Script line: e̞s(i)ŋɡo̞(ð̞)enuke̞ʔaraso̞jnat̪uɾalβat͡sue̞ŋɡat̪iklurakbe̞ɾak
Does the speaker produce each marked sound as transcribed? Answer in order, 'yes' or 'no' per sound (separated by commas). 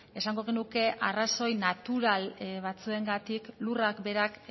no, no